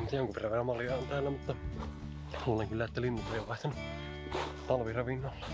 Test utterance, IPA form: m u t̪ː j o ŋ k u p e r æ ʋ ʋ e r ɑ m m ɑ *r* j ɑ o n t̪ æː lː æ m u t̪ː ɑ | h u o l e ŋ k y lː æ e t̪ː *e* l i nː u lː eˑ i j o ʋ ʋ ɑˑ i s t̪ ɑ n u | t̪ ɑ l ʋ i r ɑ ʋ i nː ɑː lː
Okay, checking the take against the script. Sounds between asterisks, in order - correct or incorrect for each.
incorrect, incorrect

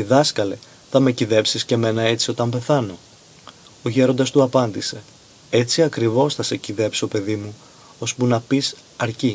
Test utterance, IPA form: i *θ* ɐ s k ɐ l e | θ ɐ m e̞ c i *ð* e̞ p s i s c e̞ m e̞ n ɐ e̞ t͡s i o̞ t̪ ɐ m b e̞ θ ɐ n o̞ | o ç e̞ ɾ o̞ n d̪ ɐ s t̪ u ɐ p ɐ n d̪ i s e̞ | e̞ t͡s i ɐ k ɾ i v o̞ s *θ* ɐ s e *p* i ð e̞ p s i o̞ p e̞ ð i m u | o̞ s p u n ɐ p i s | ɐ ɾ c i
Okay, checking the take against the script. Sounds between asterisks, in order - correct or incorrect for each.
incorrect, correct, correct, incorrect

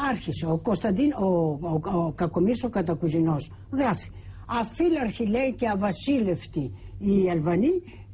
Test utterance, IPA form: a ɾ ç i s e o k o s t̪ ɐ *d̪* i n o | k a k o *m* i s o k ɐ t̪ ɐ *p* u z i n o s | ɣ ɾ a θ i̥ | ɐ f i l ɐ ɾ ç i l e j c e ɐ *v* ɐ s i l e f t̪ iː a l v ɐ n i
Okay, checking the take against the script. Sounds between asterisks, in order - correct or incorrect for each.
correct, correct, incorrect, correct

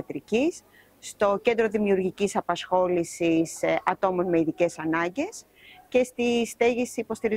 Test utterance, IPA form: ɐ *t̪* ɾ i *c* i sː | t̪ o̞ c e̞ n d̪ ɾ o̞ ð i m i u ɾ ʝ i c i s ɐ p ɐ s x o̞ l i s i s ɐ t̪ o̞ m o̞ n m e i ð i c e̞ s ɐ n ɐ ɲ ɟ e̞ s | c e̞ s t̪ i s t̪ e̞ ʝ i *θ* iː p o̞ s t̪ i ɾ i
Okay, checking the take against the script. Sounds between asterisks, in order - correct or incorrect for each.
correct, correct, incorrect

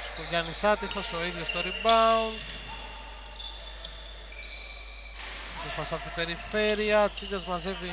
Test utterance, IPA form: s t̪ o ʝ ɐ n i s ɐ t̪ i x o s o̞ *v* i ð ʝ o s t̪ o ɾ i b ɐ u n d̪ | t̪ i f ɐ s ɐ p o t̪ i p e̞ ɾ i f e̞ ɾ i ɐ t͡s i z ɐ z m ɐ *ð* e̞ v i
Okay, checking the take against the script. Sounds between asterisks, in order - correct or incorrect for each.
incorrect, incorrect

